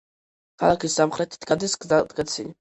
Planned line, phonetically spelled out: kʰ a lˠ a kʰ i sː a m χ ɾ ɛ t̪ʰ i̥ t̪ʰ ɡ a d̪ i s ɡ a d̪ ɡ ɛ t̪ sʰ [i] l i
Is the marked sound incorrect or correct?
correct